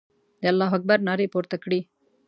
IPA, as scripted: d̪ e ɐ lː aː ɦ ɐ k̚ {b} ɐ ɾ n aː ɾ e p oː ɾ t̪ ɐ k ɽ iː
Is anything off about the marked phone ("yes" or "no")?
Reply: no